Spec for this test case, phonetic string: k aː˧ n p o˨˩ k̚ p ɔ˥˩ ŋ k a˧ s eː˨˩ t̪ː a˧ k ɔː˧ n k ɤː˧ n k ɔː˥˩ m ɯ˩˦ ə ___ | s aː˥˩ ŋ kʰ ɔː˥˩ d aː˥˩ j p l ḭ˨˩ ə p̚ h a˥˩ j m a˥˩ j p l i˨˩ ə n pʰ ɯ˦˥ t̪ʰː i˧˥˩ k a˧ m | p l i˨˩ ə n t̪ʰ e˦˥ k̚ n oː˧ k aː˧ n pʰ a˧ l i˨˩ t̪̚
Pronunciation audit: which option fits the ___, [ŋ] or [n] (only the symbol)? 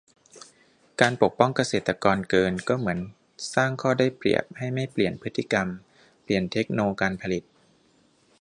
n